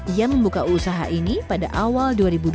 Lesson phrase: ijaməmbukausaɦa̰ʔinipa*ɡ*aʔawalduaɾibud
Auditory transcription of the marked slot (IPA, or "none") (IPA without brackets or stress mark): d